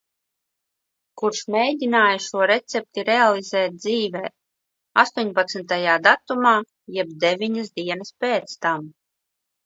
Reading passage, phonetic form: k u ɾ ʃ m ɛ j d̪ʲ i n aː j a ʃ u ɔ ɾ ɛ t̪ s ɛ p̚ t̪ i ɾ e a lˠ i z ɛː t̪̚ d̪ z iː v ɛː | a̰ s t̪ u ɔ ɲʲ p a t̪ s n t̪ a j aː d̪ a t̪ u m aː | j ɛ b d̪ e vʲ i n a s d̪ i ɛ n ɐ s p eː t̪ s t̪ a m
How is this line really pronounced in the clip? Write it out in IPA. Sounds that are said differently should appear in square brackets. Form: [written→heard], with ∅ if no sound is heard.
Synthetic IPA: k u ɾ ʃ m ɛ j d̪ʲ i n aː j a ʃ u ɔ ɾ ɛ t̪ s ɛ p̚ t̪ i ɾ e a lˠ i z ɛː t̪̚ d̪ z iː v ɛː | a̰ s t̪ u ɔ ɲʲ p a t̪ s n t̪ a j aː d̪ a t̪ u m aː | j ɛ b d̪ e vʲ i [n→ɲ] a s d̪ i ɛ n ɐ s p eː t̪ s t̪ a m

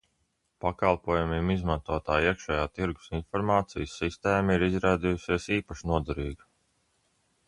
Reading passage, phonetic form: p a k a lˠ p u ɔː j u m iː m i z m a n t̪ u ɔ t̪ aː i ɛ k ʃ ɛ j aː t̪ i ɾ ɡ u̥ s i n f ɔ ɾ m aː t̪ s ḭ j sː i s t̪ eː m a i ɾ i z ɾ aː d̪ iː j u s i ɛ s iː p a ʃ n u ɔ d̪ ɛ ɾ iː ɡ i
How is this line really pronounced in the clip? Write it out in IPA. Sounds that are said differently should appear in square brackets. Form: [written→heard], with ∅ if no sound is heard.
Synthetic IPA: p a k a lˠ p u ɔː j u m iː m i z m a n t̪ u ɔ t̪ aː i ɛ k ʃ ɛ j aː t̪ i ɾ ɡ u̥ s i n f ɔ ɾ m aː t̪ s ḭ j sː i s t̪ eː m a i ɾ i z ɾ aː d̪ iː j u s i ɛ s iː p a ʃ n u ɔ d̪ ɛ ɾ iː ɡ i

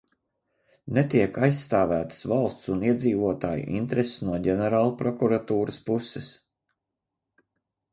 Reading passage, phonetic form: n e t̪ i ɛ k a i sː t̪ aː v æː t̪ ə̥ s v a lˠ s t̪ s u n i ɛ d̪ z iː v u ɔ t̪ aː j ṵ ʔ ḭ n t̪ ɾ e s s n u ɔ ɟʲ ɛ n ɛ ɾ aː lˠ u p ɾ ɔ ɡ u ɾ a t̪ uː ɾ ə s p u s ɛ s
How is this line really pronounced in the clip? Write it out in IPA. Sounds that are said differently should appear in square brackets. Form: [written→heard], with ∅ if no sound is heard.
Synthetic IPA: n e t̪ i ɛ k a [i→j] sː t̪ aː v æː t̪ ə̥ s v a lˠ s t̪ s u n i ɛ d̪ z iː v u ɔ t̪ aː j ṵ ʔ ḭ n t̪ ɾ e s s n u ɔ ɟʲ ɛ n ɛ ɾ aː lˠ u p ɾ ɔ [ɡ→k] u ɾ a t̪ uː ɾ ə s p u s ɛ s

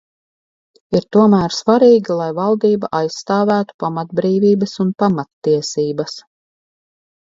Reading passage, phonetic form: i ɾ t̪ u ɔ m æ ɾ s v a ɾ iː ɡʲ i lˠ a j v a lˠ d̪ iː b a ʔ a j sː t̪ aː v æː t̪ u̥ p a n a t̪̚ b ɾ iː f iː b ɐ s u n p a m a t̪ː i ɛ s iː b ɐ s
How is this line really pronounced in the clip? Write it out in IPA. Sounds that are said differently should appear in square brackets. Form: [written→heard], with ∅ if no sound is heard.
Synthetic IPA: i ɾ t̪ u ɔ m [æ→æː] ɾ s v a ɾ iː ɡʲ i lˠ a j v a lˠ d̪ iː b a ʔ a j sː t̪ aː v æː t̪ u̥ p a [n→m] a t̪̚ b ɾ iː [f→v] iː b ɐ s u n p a m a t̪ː i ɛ s iː b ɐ s

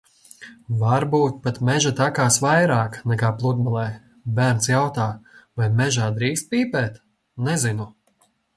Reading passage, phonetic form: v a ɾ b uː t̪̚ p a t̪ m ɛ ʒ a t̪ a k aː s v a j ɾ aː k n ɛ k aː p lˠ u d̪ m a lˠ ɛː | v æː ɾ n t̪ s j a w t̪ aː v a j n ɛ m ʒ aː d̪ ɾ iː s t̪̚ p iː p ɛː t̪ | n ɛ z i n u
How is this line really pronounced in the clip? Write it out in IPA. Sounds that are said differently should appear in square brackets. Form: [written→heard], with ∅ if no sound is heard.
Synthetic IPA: v a ɾ b uː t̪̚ p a t̪ m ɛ ʒ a t̪ a k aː s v a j ɾ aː k n ɛ k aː p lˠ u d̪ m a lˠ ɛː | [v→b] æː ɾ n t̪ s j a w t̪ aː v a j [n→m] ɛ [m→∅] ʒ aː d̪ ɾ iː s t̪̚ p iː p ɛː t̪ | n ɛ z i n u

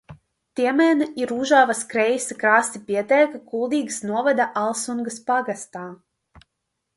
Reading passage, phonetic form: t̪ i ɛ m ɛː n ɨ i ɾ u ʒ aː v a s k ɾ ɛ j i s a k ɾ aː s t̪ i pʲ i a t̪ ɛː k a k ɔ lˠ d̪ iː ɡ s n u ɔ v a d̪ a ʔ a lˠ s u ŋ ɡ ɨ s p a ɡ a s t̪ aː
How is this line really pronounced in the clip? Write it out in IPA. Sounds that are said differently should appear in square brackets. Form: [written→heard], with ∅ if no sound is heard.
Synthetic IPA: t̪ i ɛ m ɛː n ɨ i ɾ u ʒ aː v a s k ɾ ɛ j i s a k ɾ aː s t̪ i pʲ i [a→ɛ] t̪ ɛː k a k [ɔ→u] lˠ d̪ iː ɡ s n u ɔ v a d̪ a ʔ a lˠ s u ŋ ɡ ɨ s p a ɡ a s t̪ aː

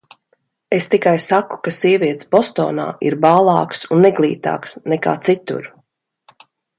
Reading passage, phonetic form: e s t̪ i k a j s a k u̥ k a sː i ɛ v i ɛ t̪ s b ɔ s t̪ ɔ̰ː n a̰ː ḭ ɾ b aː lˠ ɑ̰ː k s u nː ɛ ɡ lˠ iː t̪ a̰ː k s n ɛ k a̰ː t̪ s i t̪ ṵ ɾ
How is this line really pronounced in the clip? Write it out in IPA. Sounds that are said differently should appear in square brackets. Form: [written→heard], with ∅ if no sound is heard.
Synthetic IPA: e s t̪ i k a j s a k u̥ k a [sː→s] i ɛ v i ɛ t̪ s b ɔ s t̪ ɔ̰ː n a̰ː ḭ ɾ b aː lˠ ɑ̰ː k s u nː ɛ ɡ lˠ iː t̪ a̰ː k s n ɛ k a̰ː t̪ s i t̪ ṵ ɾ

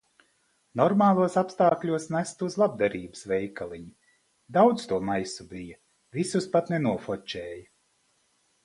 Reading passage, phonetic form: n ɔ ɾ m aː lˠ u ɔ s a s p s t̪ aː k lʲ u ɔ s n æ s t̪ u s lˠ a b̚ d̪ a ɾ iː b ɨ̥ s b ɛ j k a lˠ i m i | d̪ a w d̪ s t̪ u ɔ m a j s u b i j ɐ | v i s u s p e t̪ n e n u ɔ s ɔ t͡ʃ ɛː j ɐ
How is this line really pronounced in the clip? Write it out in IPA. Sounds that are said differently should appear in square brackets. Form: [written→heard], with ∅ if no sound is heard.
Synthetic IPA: n ɔ ɾ m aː lˠ u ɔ s a [s→∅] p s t̪ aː k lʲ u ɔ s n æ s t̪ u [s→z] lˠ a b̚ d̪ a ɾ iː b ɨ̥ s [b→v] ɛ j k a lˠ i [m→ɲ] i | d̪ a w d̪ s t̪ u ɔ m a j s u b i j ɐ | v i s u s p [e→a] t̪ n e n u ɔ [s→f] ɔ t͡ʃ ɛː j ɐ

